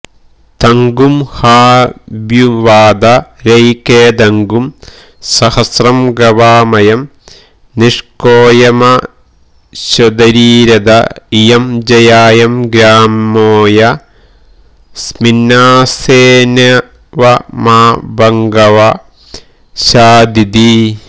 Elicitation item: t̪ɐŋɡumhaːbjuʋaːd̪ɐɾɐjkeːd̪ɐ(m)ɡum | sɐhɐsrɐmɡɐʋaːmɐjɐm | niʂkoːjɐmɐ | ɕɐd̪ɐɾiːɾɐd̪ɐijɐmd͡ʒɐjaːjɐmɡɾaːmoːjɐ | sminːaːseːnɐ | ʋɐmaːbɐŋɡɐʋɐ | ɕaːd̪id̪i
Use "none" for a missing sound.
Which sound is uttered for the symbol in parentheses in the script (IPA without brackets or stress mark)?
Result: ŋ